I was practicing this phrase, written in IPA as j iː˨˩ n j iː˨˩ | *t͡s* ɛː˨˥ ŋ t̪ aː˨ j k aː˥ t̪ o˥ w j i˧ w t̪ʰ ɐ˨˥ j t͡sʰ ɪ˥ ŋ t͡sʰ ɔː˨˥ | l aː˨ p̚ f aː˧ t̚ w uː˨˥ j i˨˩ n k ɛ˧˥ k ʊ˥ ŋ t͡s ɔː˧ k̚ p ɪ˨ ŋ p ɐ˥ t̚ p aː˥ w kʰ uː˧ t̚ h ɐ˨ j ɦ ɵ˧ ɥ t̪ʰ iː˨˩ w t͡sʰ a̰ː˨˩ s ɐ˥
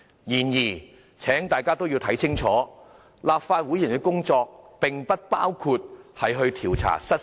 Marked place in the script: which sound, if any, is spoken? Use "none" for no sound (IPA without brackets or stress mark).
t͡sʰ